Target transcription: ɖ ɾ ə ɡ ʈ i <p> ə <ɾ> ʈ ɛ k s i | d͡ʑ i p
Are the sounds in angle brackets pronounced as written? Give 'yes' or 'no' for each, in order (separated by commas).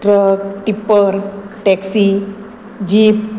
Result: yes, yes